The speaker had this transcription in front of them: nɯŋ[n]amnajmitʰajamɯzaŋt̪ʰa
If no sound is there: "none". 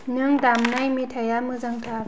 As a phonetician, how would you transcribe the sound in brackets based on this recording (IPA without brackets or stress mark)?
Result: d